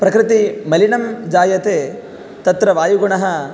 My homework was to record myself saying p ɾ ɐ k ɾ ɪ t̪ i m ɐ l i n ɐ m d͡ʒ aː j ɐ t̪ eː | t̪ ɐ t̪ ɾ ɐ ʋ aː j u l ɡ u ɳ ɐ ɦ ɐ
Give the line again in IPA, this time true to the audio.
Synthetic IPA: p ɾ ɐ k ɾ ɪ t̪ i m ɐ l i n ɐ m d͡ʒ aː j ɐ t̪ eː | t̪ ɐ t̪ ɾ ɐ ʋ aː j u ɡ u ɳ ɐ ɦ ɐ